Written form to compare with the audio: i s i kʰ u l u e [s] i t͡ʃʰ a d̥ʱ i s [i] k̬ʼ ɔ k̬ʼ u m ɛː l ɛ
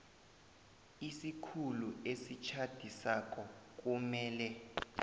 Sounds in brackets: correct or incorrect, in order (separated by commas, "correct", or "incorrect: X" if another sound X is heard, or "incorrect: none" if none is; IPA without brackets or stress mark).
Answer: correct, incorrect: a